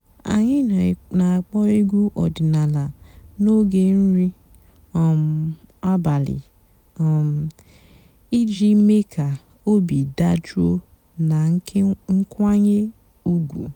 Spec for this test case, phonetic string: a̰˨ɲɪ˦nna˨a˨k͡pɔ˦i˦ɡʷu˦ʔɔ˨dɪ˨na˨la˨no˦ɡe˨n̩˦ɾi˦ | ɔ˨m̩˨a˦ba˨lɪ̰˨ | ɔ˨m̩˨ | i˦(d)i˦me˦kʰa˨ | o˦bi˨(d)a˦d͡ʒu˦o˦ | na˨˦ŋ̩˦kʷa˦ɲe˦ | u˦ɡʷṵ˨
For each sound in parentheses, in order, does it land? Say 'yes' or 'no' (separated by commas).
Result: no, yes